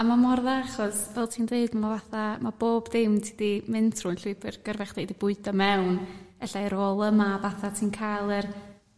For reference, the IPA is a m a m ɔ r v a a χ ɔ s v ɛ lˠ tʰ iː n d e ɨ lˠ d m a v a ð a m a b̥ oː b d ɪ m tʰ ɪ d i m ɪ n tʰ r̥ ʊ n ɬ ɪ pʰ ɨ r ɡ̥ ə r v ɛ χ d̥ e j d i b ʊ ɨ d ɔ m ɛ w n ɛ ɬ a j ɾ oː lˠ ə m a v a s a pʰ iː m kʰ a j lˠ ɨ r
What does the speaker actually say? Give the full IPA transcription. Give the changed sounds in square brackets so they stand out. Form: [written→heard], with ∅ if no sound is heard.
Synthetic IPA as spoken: a m a m ɔ r [v→ð] a a χ ɔ s v ɛ lˠ tʰ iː n d e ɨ [lˠ→∅] d m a v a [ð→θ] a m a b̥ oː b d ɪ m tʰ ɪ d i m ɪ n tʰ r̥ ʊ n ɬ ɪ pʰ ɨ r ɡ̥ ə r v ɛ χ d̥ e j d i b ʊ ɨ d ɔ m ɛ w n ɛ ɬ a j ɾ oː lˠ ə m a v a [s→θ] a [pʰ→tʰ] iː [m→n] kʰ a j lˠ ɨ r